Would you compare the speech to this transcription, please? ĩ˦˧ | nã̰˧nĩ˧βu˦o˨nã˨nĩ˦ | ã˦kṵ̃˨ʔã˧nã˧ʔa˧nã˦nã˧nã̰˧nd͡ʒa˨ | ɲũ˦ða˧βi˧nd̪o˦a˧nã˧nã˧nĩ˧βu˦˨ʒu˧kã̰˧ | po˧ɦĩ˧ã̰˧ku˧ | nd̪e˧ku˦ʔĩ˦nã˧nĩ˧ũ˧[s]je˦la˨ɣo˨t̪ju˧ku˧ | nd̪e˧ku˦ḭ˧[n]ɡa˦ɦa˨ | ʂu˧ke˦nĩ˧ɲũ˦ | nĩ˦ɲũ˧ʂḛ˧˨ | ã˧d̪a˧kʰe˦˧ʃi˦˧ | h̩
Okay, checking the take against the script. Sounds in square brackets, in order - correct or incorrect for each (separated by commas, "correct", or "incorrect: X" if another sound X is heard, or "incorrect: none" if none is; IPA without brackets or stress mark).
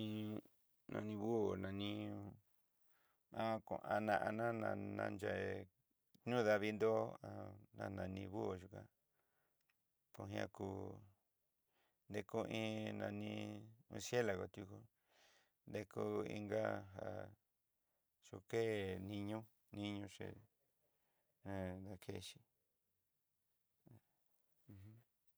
correct, incorrect: ŋ